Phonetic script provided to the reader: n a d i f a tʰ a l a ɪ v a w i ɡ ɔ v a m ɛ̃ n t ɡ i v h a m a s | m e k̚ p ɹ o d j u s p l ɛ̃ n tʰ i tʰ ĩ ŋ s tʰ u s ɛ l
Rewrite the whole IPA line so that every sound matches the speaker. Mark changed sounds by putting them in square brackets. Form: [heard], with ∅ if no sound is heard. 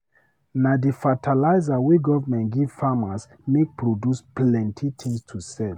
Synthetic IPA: n a d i f a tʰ a l a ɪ [z] a w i ɡ ɔ v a m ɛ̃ n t ɡ i v [f] a m a s | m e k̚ p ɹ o d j u s p l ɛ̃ n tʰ i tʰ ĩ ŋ s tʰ u s ɛ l